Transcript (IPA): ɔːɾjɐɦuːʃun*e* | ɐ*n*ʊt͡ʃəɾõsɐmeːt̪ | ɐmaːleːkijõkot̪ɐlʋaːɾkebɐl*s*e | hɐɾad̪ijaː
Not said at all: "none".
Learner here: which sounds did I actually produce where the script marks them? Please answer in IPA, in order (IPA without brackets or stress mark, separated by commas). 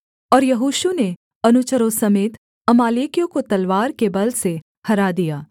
e, n, s